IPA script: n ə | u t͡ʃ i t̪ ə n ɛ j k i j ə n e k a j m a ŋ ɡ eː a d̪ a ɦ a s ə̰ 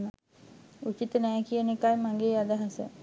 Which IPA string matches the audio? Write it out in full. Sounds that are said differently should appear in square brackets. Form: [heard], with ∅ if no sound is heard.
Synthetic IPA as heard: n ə | u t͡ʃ i t̪ ə n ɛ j k i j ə n e k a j m a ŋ ɡ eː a d̪ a ɦ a s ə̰